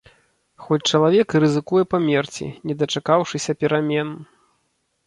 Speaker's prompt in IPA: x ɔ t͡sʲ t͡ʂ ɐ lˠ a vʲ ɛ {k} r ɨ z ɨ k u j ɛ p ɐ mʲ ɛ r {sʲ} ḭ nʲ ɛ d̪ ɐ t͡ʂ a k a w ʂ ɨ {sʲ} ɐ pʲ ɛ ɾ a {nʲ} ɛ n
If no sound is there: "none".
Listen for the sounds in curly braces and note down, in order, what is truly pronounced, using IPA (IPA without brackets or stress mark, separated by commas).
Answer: k, t͡sʲ, sʲ, mʲ